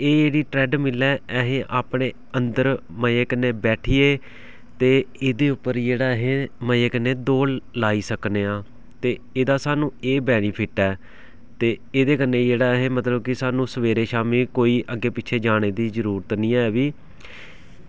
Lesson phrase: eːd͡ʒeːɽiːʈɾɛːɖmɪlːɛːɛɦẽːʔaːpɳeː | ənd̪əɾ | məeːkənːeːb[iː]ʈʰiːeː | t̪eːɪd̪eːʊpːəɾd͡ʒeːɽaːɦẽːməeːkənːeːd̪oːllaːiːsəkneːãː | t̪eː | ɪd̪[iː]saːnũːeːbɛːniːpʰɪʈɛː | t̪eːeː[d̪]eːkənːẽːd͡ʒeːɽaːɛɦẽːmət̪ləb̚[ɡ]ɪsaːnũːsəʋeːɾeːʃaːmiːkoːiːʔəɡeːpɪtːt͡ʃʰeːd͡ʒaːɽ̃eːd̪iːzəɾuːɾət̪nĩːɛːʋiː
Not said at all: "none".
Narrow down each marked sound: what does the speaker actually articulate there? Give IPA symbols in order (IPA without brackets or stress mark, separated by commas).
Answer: ɛː, aː, d̪, k